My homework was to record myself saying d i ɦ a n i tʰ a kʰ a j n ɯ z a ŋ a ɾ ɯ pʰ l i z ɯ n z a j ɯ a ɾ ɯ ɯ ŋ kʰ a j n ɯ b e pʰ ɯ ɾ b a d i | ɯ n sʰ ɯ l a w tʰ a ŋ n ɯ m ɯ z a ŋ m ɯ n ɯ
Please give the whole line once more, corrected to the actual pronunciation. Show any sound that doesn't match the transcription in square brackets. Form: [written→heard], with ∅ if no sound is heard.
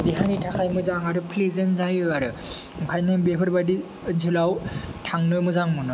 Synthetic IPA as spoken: d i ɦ a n i tʰ a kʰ a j [n→m] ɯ z a ŋ a ɾ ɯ pʰ l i z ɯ n z a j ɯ a ɾ ɯ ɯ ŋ kʰ a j n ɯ b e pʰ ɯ ɾ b a d i | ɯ n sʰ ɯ l a w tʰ a ŋ n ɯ m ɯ z a ŋ m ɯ n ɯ

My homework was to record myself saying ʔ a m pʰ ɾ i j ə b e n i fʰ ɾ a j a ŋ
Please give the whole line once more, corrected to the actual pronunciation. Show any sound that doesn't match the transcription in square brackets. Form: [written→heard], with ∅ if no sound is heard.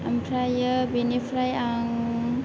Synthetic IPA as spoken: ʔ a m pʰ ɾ [i→a] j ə b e n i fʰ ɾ a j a ŋ

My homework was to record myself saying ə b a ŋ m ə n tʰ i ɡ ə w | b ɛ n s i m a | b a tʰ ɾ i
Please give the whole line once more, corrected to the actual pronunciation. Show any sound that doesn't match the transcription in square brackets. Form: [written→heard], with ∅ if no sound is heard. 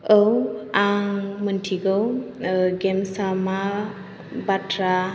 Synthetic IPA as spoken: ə [b→w] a ŋ m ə n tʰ i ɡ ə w | [b→ɡ] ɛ [n→m] s [i→a] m a | b a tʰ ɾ [i→a]

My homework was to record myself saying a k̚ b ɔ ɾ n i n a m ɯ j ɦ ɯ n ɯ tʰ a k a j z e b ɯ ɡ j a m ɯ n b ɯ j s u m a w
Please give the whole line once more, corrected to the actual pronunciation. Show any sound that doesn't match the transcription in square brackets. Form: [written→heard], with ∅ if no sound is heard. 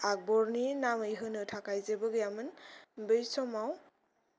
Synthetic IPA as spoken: a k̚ b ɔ ɾ n i n a m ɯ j ɦ ɯ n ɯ tʰ a k a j z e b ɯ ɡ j a m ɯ n b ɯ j s [u→ɔ] m a w

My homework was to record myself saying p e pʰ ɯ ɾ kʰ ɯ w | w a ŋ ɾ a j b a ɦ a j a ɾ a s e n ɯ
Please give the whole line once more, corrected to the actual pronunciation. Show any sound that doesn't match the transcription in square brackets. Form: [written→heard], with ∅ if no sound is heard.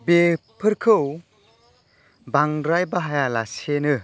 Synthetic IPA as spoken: [p→b] e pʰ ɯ ɾ kʰ ɯ w | [w→b] a ŋ ɾ a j b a ɦ a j a [ɾ→l] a s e n ɯ

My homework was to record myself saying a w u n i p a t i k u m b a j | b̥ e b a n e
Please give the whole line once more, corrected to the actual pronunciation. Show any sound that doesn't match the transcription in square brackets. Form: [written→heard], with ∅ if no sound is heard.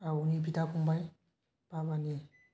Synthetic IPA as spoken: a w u n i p [a→i] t [i→a] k u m b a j | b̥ [e→a] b a n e

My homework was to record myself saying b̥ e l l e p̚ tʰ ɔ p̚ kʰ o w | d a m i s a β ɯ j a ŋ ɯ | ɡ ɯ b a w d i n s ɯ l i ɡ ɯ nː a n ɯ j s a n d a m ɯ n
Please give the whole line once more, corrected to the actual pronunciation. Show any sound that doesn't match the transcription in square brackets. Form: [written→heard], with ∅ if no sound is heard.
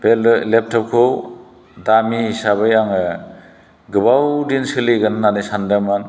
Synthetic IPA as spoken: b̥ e l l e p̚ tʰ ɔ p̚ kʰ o w | d a m i s a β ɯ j a ŋ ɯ | ɡ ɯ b a w d i n s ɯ l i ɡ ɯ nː a n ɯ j s a n d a m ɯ n

